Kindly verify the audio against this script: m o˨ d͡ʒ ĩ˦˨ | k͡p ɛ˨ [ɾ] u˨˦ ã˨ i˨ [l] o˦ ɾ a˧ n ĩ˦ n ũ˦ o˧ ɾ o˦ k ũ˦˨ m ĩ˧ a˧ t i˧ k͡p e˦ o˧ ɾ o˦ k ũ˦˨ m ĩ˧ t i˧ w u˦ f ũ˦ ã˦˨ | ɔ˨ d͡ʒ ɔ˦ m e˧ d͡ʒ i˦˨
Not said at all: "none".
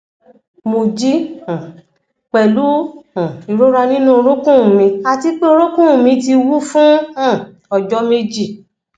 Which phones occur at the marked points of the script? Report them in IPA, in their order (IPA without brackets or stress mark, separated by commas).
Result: l, ɾ